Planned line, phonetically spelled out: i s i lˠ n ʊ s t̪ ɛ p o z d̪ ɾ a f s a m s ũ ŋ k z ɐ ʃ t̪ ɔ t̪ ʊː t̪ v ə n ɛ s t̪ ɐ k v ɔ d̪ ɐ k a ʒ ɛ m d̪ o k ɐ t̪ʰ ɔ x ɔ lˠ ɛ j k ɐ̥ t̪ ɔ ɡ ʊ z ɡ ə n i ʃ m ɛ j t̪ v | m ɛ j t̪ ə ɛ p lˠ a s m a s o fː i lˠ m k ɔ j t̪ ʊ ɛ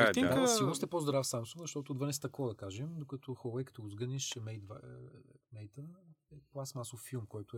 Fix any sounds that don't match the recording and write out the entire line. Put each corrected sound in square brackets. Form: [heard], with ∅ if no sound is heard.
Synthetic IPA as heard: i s i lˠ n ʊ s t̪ ɛ p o z d̪ ɾ a f s a m s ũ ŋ [ɡ] z ɐ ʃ t̪ ɔ t̪ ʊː [d̪] v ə n ɛ s t̪ ɐ k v ɔ d̪ ɐ k a ʒ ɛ m d̪ o k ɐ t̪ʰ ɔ x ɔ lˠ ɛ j k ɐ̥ t̪ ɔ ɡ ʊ z ɡ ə n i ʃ m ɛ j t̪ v | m ɛ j t̪ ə ɛ p lˠ a s m a s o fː i lˠ m k ɔ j t̪ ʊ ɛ